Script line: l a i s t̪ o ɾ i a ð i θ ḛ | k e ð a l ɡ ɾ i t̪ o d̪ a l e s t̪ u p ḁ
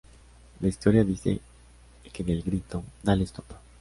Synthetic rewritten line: l a i s t̪ o ɾ j a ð i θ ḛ | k e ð e l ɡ ɾ i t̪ o d̪ a l e s t̪ o p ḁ